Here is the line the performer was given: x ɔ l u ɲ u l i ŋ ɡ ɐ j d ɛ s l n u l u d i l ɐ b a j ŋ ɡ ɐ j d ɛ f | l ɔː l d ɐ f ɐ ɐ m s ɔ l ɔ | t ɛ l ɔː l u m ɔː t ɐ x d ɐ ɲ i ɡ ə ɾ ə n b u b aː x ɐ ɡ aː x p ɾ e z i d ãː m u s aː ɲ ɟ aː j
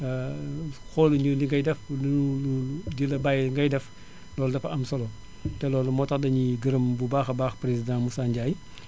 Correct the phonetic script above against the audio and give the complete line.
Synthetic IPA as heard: x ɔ l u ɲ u l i ŋ ɡ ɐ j d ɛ f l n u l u d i l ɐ b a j ŋ ɡ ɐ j d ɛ f | l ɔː l d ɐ f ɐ ɐ m s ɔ l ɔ | t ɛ l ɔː l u m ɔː t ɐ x d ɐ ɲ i ɡ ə ɾ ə m b u b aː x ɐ b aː x p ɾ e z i d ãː m u s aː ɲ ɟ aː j